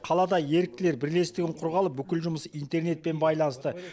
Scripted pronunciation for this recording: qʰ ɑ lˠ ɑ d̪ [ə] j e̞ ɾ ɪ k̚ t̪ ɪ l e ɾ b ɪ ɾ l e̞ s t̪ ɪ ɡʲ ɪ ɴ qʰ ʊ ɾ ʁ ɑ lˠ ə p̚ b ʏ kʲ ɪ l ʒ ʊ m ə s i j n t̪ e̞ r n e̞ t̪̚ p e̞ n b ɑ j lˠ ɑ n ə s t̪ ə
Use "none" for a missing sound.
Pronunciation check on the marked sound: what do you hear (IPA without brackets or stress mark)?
ɑ